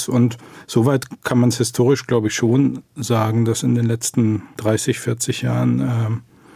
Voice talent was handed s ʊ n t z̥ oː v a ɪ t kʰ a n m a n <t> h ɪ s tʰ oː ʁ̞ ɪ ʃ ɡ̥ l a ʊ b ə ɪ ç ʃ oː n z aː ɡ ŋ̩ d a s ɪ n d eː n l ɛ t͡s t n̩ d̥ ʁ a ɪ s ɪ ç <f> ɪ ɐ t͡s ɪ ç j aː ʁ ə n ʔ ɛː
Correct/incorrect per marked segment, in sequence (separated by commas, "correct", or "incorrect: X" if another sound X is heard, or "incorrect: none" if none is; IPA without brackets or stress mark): incorrect: s, correct